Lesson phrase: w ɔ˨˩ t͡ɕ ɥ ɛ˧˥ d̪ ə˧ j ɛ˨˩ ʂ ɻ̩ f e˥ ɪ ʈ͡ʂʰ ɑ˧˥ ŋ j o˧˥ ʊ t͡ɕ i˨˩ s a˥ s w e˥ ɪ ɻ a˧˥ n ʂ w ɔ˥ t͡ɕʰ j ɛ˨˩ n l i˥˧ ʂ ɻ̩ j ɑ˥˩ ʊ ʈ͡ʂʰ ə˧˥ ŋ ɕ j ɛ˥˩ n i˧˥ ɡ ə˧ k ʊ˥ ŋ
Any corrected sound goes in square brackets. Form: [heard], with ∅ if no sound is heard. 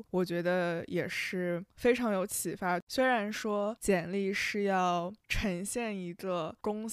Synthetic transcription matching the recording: w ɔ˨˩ t͡ɕ ɥ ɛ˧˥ d̪ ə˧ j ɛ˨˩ ʂ ɻ̩ f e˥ ɪ ʈ͡ʂʰ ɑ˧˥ ŋ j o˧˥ ʊ [t͡ɕʰ] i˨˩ [f] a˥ s w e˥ ɪ ɻ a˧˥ n ʂ w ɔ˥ [t͡ɕ] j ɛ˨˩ n l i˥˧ ʂ ɻ̩ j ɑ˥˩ ʊ ʈ͡ʂʰ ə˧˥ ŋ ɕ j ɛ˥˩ n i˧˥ ɡ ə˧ k ʊ˥ ŋ